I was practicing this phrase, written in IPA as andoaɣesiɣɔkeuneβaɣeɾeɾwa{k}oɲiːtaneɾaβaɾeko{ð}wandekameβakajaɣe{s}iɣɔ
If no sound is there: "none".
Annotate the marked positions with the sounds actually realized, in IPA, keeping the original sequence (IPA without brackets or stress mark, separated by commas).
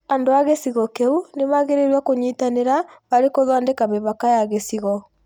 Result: k, ð, s